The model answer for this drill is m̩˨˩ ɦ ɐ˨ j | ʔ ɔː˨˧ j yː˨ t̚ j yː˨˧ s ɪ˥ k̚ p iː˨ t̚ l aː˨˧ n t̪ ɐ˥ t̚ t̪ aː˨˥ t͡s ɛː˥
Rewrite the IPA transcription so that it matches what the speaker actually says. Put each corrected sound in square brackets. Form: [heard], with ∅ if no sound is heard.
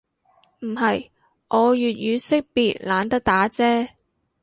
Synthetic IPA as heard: m̩˨˩ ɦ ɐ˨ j | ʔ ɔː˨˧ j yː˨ t̚ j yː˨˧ s ɪ˥ k̚ p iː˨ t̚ l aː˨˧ n t̪ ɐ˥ [k̚] t̪ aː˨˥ t͡s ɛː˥